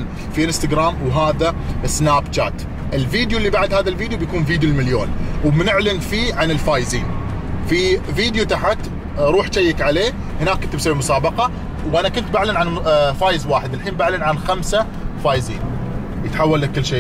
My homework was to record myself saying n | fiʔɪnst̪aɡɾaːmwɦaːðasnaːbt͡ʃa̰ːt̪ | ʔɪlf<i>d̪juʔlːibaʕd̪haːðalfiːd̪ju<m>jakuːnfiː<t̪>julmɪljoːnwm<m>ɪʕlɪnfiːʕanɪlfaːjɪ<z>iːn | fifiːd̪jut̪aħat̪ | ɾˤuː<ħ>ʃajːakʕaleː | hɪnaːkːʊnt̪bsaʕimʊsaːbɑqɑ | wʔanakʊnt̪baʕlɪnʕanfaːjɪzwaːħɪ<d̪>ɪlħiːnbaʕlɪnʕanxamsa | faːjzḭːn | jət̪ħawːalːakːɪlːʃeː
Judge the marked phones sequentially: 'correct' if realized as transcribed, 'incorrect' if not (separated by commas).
incorrect, incorrect, incorrect, incorrect, correct, correct, correct